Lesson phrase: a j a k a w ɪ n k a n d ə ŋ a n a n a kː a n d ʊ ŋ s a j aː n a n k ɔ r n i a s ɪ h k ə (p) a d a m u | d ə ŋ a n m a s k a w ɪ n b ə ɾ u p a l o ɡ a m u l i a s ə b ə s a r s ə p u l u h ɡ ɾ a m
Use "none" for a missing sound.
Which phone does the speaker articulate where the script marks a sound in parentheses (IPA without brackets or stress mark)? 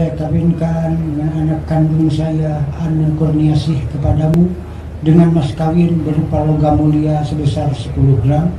p